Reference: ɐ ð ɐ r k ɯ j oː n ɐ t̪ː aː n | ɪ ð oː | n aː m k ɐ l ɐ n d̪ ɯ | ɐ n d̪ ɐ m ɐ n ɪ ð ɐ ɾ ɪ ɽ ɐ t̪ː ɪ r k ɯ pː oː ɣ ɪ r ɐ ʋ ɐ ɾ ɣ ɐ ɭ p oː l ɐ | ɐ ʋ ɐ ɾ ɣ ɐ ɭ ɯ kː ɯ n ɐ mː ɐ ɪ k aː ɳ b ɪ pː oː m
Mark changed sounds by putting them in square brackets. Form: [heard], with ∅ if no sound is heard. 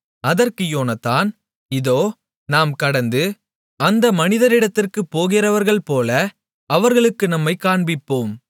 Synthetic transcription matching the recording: ɐ ð ɐ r k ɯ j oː n ɐ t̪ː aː n | ɪ ð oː | n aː m k ɐ [ɽ] ɐ n d̪ ɯ | ɐ n d̪ ɐ m ɐ n ɪ ð ɐ ɾ ɪ ɽ ɐ t̪ː ɪ r k ɯ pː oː ɣ ɪ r ɐ ʋ ɐ ɾ ɣ ɐ ɭ p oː l ɐ | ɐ ʋ ɐ ɾ ɣ ɐ ɭ ɯ kː ɯ n ɐ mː ɐ ɪ k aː ɳ b ɪ pː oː m